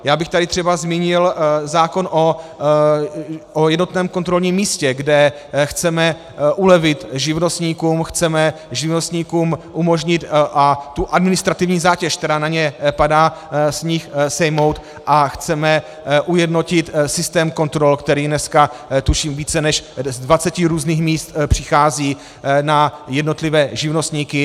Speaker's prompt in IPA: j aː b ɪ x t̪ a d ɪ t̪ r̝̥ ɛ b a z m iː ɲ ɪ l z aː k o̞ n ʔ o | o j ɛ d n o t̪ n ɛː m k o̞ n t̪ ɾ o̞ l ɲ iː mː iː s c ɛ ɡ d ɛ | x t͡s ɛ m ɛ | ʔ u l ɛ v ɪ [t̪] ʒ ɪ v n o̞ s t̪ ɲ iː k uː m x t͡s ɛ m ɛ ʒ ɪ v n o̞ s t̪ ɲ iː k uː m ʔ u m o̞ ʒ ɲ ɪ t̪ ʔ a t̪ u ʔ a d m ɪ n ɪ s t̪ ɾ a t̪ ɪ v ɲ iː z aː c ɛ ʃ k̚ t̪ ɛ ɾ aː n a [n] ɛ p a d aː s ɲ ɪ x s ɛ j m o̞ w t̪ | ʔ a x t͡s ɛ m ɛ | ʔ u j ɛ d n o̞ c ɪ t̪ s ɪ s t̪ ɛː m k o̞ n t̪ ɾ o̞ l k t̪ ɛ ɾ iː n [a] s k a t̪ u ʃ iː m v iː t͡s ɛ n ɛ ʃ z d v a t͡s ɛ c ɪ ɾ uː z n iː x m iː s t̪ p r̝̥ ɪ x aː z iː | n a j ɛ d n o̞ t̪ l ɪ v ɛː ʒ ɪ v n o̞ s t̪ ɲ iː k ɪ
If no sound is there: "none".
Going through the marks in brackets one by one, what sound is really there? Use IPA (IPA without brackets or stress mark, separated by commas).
t̪, ɲ, ɛ